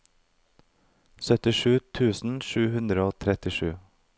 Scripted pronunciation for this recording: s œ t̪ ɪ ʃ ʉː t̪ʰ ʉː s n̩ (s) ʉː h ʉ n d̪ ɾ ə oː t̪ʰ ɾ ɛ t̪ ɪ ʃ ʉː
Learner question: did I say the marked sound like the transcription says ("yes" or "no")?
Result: no